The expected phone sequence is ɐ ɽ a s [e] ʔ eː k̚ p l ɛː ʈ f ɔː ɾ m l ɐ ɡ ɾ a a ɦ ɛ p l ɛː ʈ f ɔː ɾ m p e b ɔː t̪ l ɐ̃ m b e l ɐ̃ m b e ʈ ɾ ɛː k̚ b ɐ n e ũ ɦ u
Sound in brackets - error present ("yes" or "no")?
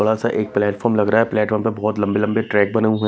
yes